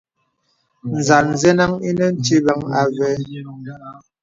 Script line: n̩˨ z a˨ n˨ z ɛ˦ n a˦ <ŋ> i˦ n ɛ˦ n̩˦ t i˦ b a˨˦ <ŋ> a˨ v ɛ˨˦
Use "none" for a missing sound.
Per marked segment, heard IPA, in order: ŋ, ŋ

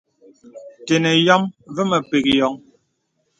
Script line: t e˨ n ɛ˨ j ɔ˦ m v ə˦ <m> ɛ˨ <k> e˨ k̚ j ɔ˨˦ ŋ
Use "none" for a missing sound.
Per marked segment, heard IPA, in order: m, p

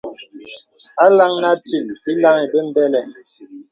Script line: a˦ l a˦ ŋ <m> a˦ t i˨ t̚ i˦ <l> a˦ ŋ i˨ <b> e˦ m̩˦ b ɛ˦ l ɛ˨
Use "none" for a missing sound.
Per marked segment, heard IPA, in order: n, l, b

